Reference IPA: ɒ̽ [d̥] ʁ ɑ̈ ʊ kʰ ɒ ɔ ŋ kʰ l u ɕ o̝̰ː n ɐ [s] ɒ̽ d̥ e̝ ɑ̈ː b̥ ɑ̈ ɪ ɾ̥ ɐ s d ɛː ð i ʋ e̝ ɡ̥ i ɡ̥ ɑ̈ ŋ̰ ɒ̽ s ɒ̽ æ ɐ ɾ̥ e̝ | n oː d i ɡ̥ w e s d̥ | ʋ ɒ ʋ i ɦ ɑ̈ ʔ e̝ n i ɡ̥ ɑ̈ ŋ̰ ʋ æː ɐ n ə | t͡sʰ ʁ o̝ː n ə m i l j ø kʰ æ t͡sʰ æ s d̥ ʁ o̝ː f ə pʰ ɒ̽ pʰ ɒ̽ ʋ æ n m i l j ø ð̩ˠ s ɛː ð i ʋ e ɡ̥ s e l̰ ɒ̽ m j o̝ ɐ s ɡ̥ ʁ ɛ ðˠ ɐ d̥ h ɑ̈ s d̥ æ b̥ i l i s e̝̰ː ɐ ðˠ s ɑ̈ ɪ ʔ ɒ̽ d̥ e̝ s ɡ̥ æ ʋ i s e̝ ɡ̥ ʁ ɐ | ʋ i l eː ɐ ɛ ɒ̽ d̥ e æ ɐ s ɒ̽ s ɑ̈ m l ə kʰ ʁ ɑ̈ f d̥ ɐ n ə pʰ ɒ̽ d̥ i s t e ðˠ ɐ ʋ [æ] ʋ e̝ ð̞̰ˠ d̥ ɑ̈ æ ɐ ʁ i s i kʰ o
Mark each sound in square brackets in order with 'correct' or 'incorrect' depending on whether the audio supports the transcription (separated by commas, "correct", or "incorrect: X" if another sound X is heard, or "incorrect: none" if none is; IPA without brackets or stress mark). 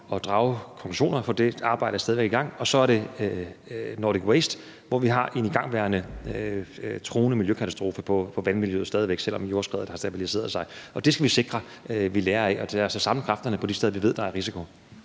correct, incorrect: f, incorrect: i